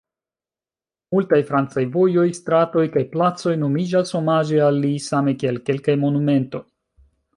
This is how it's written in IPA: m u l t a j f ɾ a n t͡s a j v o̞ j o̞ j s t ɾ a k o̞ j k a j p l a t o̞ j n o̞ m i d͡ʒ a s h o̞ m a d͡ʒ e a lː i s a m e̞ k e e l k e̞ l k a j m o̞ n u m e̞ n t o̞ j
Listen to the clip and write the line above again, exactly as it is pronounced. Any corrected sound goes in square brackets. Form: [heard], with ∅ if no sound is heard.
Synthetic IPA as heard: m u l t a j f ɾ a n t͡s a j v o̞ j o̞ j s t ɾ a [t] o̞ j k a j p l a [t͡s] o̞ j n o̞ m i d͡ʒ a s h o̞ m a d͡ʒ e a lː i s a m e̞ k [i] e l k e̞ l k a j m o̞ n u m e̞ n t o̞ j